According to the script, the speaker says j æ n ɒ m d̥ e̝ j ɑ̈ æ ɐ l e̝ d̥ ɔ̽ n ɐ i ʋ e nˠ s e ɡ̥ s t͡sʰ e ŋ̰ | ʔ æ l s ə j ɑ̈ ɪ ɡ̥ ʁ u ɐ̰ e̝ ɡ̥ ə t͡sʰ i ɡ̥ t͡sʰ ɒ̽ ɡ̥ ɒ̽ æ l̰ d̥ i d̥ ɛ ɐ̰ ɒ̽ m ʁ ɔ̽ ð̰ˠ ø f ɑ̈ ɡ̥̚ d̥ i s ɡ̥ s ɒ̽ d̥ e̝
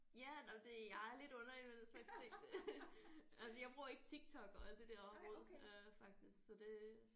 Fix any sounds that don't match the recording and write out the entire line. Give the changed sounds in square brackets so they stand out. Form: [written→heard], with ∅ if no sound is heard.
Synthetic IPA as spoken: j æ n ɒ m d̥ e̝ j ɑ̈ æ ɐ l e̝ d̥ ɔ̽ n ɐ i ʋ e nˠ s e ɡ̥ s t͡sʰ e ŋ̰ | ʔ æ l s ə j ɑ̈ ɪ [ɡ̥→b̥] ʁ u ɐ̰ e̝ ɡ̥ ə t͡sʰ i ɡ̥ t͡sʰ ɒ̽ ɡ̥ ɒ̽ æ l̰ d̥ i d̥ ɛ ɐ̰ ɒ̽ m ʁ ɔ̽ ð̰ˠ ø f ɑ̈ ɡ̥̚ d̥ i s ɡ̥ s ɒ̽ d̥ e̝